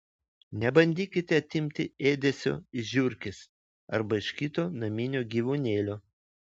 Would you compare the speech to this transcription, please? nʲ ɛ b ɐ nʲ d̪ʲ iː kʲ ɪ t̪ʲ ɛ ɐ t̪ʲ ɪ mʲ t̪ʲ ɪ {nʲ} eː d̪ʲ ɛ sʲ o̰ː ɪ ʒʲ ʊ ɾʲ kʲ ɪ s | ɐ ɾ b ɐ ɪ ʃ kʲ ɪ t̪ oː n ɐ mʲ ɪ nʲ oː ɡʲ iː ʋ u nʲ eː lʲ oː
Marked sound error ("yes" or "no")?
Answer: yes